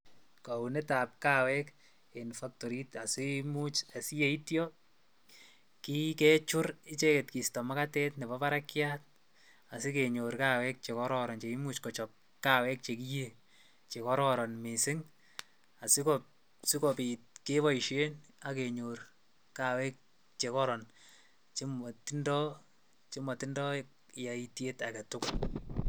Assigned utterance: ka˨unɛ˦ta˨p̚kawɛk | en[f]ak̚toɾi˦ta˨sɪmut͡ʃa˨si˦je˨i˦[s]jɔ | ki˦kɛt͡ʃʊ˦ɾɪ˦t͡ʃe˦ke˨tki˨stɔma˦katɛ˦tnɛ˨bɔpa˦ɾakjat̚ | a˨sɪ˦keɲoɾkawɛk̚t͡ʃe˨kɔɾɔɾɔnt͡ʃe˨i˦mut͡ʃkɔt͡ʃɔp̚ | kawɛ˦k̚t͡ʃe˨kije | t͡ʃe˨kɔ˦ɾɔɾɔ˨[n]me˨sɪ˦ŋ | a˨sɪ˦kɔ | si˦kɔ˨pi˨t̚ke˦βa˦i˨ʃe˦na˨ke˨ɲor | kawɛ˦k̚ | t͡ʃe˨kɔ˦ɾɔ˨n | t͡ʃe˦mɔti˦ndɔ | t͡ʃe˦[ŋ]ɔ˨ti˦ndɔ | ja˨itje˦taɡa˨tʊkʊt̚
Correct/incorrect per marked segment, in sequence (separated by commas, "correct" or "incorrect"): correct, incorrect, correct, incorrect